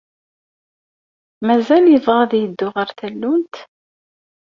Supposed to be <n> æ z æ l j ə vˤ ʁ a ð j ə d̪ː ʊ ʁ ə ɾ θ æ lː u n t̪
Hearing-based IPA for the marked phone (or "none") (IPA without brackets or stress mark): m